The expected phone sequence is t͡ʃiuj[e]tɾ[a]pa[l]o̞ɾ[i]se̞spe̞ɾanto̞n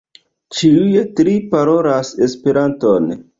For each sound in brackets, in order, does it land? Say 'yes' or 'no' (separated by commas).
yes, no, no, no